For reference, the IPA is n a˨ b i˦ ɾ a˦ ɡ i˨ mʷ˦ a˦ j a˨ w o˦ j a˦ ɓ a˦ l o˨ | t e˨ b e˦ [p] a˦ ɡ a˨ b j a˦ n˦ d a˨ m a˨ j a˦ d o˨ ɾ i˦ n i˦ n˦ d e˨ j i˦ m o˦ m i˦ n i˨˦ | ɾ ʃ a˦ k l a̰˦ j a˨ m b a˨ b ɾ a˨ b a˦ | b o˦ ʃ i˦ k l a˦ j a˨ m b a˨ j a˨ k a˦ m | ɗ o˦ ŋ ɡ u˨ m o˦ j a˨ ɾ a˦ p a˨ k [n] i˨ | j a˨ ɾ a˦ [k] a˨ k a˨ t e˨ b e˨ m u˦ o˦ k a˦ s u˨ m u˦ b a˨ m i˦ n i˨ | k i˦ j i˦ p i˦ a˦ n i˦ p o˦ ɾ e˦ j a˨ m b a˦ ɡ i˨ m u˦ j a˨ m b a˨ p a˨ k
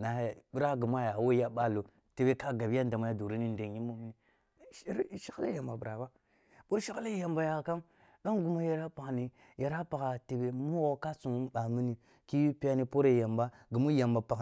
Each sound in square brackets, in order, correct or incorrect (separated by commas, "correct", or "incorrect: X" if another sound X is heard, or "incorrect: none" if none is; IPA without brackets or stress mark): incorrect: k, correct, incorrect: p